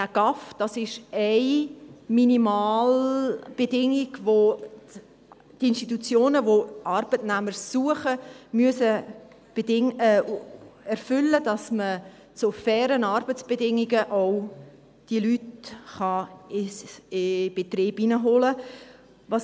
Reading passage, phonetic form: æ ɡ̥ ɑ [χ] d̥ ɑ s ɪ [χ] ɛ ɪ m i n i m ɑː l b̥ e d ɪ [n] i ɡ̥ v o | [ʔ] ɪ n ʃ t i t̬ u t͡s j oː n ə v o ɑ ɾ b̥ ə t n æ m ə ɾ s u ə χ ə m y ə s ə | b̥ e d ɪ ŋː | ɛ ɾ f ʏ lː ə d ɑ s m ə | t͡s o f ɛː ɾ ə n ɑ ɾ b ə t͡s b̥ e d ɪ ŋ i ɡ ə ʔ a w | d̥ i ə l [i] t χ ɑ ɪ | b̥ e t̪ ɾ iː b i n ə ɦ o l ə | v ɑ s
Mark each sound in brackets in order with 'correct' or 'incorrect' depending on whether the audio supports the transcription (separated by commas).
incorrect, incorrect, incorrect, incorrect, incorrect